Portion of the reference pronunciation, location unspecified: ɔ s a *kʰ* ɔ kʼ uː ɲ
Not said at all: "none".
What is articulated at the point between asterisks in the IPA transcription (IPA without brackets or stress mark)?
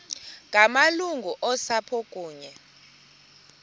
pʰ